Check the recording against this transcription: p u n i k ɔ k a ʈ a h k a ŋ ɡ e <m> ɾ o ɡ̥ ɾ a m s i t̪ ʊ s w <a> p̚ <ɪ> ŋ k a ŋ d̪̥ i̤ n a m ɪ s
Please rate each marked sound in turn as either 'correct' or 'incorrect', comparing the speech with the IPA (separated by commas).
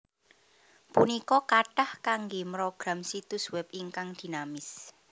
correct, incorrect, incorrect